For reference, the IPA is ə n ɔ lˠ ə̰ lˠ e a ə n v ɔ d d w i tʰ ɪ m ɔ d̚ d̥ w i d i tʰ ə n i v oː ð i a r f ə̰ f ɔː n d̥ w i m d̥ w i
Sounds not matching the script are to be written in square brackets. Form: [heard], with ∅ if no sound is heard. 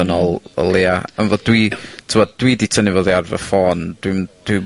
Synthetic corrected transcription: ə n ɔ lˠ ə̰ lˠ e a ə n v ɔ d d w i tʰ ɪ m ɔ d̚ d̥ w i d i tʰ ə n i v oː ð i a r [v] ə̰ f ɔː n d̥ w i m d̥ w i